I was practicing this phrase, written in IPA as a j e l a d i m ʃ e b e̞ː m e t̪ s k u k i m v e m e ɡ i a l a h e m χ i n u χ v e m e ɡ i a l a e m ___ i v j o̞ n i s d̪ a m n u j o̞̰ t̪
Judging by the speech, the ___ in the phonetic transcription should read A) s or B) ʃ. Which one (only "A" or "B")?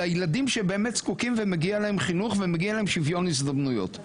B